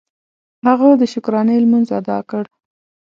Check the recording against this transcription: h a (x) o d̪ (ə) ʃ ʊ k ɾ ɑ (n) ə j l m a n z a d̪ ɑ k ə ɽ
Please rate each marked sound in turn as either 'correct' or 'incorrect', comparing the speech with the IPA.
incorrect: ɣ, correct, correct

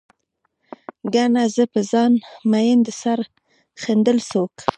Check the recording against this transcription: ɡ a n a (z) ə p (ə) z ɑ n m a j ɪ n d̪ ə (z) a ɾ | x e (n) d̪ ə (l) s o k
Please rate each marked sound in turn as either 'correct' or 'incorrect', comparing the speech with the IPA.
correct, correct, incorrect: s, correct, correct

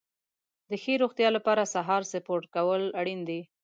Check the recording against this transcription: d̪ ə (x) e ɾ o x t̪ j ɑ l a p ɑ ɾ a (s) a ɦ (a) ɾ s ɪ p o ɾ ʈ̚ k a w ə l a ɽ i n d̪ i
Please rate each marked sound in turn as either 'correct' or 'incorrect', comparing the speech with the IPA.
correct, correct, incorrect: ɑ

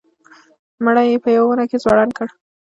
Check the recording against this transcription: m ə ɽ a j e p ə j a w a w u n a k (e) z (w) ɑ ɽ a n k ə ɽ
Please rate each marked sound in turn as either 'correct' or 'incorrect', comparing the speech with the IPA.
correct, correct

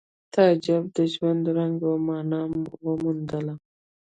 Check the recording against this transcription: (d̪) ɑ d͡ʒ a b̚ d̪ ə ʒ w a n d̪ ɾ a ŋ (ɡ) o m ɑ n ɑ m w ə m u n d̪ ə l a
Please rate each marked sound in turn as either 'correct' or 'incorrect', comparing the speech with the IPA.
incorrect: t̪, correct

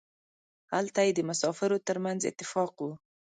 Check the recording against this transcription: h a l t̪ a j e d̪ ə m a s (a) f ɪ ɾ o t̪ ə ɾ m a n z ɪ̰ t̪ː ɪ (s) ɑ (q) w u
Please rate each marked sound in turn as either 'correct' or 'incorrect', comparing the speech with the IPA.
incorrect: ɑ, incorrect: f, correct

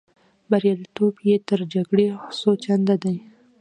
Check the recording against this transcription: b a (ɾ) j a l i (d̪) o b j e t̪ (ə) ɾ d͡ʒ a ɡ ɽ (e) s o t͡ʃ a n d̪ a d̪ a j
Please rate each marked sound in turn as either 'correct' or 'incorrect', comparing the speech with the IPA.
correct, incorrect: t̪, correct, correct

